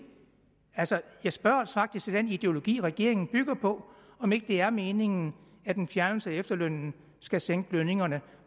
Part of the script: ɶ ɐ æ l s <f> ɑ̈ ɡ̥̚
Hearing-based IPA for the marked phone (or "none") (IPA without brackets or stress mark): f